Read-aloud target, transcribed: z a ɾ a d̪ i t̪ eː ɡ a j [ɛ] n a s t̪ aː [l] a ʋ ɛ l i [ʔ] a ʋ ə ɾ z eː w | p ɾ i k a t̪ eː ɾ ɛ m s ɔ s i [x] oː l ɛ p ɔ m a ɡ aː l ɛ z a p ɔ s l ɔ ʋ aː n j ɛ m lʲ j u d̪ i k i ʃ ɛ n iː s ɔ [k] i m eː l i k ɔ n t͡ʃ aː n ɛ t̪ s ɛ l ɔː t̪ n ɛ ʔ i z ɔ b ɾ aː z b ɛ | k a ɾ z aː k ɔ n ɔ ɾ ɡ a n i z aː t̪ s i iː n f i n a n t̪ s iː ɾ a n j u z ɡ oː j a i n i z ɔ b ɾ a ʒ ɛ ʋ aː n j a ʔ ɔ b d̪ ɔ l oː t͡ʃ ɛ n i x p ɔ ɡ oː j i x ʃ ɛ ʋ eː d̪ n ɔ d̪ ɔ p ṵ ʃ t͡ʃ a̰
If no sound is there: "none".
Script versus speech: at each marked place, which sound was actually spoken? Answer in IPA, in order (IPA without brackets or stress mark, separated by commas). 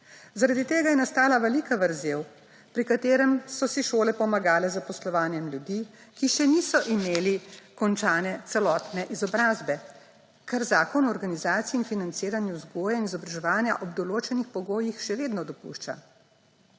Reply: ɛ, l, k, ʃ, ʔ